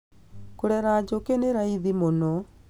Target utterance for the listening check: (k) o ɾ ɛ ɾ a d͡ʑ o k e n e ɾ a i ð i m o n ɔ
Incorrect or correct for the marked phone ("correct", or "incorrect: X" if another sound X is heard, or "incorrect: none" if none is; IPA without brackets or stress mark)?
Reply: correct